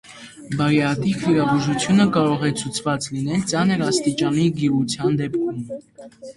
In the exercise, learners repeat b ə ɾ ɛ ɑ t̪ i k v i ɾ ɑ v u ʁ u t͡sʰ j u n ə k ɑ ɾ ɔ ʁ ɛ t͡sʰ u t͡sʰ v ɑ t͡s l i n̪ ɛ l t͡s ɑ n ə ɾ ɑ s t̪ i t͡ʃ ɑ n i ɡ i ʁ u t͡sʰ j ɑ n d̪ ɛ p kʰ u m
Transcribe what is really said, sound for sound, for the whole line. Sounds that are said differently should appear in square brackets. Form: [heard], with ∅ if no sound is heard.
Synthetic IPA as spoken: b [ɑ] ɾ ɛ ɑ t̪ i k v i ɾ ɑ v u [ʒ] u t͡sʰ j u n ə k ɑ ɾ ɔ ʁ ɛ t͡sʰ u t͡sʰ v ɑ t͡s l i n̪ ɛ l t͡s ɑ n ə ɾ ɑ s t̪ i t͡ʃ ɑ n i ɡ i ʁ u t͡sʰ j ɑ n d̪ ɛ p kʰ u m